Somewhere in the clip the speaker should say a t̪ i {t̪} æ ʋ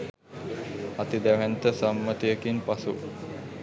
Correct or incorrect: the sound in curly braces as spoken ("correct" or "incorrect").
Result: incorrect